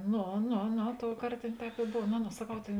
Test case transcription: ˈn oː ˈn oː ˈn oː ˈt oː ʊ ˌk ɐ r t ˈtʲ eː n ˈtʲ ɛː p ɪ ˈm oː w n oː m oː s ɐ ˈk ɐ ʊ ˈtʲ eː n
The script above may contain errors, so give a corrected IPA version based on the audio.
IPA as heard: ˈn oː ˈn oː ˈn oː ˈt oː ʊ ˌk ɐ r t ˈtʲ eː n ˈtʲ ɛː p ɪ ˈb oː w n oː n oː s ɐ ˈk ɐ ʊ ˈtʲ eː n